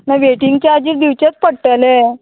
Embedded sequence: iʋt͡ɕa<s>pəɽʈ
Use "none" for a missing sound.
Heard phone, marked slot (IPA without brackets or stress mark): t͡s